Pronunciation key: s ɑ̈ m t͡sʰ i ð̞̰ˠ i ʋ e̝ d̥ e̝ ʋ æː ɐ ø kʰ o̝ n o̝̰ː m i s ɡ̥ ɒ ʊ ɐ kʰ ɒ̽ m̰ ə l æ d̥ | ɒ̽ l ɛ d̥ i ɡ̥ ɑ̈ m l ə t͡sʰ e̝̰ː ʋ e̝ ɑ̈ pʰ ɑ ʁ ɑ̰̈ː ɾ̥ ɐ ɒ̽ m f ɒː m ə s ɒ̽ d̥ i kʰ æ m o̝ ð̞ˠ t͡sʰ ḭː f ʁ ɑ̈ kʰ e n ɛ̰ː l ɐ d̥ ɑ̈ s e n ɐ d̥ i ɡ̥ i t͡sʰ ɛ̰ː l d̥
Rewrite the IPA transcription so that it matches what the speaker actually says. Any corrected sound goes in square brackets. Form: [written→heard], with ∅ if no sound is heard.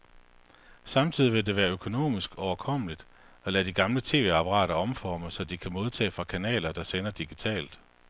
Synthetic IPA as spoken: s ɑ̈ m t͡sʰ i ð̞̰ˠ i ʋ e̝ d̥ e̝ ʋ æː ɐ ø kʰ o̝ n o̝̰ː m i s ɡ̥ ɒ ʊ ɐ kʰ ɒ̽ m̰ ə l [æ→i] d̥ | ɒ̽ l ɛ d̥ i ɡ̥ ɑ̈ m l ə t͡sʰ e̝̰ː ʋ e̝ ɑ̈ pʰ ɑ ʁ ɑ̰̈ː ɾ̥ ɐ ɒ̽ m f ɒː m ə s ɒ̽ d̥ i kʰ æ m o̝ ð̞ˠ t͡sʰ [ḭː→ɛ̰ː] f ʁ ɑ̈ kʰ [e→æ] n ɛ̰ː l ɐ d̥ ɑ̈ s e n ɐ d̥ i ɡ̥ i t͡sʰ ɛ̰ː l d̥